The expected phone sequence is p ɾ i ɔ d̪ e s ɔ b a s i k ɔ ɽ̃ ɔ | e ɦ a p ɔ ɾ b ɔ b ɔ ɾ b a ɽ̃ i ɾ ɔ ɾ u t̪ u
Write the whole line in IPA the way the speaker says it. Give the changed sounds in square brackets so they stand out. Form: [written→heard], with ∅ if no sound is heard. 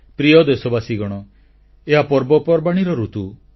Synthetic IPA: p ɾ i ɔ d̪ e s ɔ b a s i [k→ɡ] ɔ ɽ̃ ɔ | e ɦ a p ɔ ɾ b ɔ [b→p] ɔ ɾ b a ɽ̃ i ɾ ɔ ɾ u t̪ u